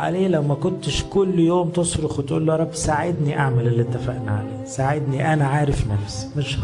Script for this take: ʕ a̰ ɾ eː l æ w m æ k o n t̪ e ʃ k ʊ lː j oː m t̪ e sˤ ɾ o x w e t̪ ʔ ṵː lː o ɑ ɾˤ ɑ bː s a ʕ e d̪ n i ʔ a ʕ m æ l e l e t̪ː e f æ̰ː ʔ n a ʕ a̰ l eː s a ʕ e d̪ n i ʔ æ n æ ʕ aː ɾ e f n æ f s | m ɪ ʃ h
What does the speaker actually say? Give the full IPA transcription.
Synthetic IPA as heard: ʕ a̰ l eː l æ w m æ k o n t̪ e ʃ k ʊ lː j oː m t̪ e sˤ ɾ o x w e t̪ ʔ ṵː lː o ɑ ɾˤ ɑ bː s a ʕ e d̪ n i ʔ a ʕ m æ l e l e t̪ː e f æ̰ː ʔ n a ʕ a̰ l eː s a ʕ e d̪ n i ʔ æ n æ ʕ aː ɾ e f n æ f s | m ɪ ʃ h